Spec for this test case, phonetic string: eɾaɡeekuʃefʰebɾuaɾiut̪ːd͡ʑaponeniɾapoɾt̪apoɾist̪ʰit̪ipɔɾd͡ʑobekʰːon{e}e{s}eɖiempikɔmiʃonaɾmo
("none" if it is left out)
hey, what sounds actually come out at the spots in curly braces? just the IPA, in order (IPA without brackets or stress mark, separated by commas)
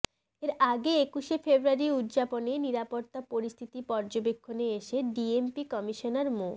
e, ʃ